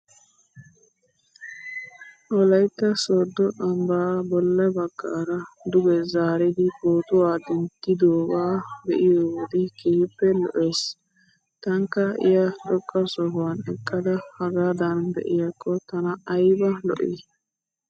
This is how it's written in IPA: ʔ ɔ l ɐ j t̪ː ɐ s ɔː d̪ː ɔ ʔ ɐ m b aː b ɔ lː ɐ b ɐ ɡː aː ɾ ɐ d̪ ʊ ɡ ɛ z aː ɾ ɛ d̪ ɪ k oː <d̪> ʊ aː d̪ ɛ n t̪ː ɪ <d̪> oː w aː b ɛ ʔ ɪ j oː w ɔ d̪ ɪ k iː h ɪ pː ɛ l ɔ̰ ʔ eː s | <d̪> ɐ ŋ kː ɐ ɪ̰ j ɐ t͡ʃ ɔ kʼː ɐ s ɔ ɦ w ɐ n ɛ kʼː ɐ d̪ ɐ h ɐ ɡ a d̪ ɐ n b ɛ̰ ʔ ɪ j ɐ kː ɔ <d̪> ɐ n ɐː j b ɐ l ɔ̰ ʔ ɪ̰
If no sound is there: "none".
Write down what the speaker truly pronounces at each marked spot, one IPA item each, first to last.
t̪, d̪, t̪, t̪

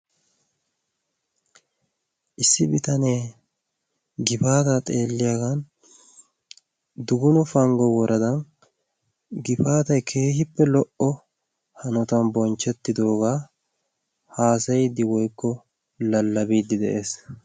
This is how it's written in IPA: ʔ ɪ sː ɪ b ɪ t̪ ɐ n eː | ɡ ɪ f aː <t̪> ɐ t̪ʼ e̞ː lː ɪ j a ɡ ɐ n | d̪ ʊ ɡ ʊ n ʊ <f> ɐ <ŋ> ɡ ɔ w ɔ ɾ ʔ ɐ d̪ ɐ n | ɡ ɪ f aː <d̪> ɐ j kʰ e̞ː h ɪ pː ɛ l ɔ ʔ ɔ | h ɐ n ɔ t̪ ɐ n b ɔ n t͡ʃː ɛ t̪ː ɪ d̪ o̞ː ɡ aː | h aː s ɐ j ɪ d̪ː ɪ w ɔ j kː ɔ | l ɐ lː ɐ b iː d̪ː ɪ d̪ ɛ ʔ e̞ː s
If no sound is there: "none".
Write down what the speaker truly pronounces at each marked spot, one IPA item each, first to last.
t̪, f, ŋ, t̪

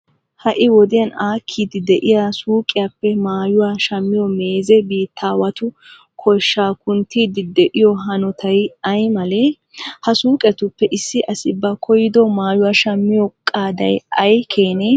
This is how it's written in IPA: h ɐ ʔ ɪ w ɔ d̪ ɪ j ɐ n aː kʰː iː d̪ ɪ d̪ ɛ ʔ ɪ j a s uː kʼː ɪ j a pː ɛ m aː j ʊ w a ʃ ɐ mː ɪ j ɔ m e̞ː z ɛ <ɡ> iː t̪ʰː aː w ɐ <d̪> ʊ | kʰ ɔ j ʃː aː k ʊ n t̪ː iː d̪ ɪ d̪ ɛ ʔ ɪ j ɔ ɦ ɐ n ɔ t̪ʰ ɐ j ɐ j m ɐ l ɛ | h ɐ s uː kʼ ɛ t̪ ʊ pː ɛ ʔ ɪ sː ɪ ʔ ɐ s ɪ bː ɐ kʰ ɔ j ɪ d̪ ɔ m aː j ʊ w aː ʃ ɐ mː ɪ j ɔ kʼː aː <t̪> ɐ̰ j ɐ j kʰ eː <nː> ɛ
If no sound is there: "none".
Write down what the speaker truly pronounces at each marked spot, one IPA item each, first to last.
b, t̪, d̪, n

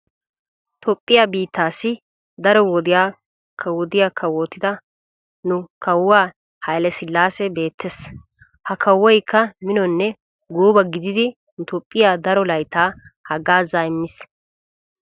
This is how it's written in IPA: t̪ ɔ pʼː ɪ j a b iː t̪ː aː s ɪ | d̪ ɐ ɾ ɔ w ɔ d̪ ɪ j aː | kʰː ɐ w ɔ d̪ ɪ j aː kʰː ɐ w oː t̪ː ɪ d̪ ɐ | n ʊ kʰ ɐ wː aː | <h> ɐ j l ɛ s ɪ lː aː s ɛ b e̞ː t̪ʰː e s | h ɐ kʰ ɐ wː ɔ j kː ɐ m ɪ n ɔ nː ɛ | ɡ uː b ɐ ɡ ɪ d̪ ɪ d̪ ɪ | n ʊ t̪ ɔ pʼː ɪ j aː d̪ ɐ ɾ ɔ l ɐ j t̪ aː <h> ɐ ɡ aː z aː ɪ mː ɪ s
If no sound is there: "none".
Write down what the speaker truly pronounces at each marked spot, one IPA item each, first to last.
h, h

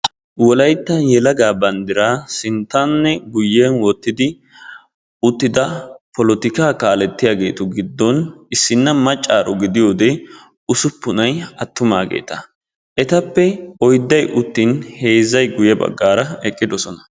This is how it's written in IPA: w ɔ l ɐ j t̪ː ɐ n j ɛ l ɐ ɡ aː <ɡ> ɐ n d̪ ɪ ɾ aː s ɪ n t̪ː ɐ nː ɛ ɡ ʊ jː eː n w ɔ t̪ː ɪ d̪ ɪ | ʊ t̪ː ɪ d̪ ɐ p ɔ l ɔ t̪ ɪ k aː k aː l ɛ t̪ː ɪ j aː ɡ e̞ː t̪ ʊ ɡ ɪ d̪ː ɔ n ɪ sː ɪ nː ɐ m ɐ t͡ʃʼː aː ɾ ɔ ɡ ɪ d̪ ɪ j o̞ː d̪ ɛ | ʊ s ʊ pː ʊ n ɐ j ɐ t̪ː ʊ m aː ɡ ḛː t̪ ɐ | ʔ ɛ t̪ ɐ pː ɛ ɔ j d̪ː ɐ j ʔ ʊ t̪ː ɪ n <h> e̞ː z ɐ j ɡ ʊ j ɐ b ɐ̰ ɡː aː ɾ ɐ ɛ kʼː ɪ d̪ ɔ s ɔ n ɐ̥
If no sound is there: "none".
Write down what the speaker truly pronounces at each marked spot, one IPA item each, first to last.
b, h

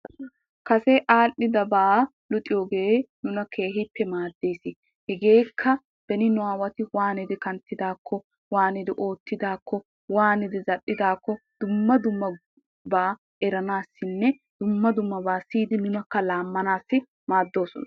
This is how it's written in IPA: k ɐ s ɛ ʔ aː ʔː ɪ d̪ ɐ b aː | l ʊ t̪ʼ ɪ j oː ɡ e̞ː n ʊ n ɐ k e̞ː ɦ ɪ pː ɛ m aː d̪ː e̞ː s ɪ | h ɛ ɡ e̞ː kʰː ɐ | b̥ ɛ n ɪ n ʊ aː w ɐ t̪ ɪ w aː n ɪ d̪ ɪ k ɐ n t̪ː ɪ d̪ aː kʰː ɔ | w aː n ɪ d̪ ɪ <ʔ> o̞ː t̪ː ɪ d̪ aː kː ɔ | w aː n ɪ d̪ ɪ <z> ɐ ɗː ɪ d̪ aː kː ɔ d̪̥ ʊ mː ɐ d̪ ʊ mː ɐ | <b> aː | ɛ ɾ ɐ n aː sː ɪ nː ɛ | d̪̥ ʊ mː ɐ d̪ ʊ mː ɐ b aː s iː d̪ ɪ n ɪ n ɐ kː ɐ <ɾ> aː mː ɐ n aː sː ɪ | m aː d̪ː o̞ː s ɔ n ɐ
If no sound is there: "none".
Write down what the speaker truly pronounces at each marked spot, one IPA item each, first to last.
ʔ, z, b, l

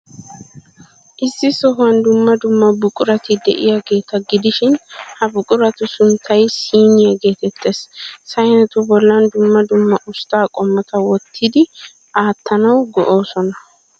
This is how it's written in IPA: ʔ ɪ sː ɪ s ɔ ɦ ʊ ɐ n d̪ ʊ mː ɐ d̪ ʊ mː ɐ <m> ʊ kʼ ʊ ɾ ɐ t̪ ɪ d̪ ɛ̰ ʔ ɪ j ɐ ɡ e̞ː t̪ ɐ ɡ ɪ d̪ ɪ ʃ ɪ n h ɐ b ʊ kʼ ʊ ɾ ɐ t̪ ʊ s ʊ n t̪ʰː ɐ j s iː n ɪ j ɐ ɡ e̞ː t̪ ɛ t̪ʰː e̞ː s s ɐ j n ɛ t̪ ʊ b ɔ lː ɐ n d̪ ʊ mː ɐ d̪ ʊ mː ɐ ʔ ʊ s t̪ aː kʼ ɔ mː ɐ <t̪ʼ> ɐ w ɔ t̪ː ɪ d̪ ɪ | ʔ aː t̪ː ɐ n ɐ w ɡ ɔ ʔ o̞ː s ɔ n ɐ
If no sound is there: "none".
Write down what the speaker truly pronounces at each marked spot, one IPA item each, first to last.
b, t̪

